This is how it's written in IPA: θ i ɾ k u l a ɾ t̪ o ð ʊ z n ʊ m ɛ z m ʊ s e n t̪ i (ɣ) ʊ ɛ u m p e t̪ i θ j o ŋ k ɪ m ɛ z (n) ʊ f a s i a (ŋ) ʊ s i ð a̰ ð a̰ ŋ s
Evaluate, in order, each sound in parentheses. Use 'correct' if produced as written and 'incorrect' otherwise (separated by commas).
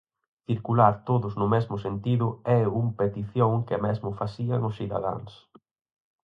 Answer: incorrect, incorrect, correct